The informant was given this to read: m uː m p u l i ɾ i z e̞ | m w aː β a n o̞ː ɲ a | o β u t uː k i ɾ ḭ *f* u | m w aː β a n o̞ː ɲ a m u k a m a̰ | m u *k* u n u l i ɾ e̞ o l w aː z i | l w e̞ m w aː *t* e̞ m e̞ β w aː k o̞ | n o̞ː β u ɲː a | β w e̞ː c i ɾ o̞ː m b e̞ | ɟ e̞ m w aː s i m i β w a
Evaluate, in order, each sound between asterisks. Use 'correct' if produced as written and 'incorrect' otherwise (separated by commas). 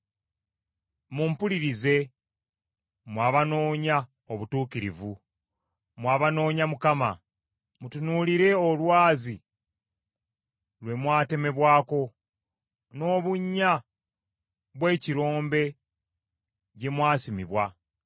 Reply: incorrect, incorrect, correct